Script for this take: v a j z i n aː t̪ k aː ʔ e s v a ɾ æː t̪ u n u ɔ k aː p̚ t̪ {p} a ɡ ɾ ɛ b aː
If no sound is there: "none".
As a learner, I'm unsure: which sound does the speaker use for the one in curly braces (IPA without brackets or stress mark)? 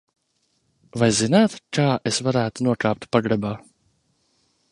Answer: p